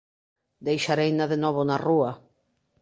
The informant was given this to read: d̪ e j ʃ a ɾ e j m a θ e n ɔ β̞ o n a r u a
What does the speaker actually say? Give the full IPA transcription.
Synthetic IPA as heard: d̪ e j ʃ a ɾ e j n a ð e n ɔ β̞ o n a r u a